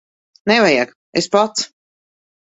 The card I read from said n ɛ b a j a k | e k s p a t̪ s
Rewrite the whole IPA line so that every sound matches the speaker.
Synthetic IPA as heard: n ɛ v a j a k | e s p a t̪ s